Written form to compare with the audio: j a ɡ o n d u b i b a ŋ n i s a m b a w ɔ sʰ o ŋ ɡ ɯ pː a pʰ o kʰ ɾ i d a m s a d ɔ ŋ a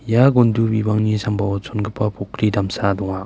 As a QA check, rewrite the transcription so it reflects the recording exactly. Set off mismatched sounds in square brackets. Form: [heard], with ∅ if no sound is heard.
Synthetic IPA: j a ɡ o n d u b i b a ŋ n i s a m b a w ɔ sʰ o [n] ɡ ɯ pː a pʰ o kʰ ɾ i d a m s a d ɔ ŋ a